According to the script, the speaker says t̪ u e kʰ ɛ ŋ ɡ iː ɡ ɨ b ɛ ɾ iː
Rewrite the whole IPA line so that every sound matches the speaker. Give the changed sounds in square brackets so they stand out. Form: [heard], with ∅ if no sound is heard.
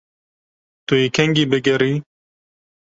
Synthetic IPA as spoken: t̪ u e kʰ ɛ ŋ ɡ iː [b] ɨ [ɡ] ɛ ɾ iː